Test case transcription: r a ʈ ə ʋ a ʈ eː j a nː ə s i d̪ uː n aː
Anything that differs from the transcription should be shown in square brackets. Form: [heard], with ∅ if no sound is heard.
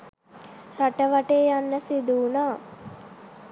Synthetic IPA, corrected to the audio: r a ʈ ə ʋ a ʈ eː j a nː ə s i d̪ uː n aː